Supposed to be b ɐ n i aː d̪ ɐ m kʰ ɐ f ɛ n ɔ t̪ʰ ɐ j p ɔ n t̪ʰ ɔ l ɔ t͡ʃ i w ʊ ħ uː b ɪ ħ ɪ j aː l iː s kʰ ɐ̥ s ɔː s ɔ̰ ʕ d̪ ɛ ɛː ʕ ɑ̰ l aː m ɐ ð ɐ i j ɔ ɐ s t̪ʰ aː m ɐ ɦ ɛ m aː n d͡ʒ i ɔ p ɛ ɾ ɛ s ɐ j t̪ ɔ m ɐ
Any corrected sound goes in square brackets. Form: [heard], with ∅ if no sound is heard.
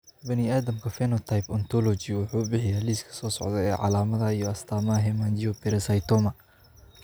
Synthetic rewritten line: b ɐ n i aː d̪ ɐ m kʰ ɐ f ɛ n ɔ t̪ʰ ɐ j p ɔ n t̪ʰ ɔ l ɔ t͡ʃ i w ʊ ħ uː b ɪ ħ ɪ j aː l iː s kʰ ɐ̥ s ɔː s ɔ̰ ʕ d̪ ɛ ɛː ʕ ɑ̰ l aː m ɐ ð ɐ i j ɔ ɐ s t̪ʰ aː m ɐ ɦ ɛ m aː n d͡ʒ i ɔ p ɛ ɾ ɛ s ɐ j t̪ ɔ m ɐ